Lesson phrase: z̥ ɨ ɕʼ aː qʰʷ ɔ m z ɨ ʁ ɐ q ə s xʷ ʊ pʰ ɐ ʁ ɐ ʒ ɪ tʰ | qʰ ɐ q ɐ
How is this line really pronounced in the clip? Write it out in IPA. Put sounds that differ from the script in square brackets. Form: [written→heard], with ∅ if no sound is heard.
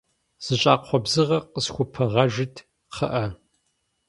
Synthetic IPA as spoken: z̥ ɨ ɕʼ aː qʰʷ ɔ [m→b] z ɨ ʁ ɐ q ə s xʷ ʊ pʰ ɐ ʁ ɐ ʒ ɪ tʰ | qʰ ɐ [q→ʔ] ɐ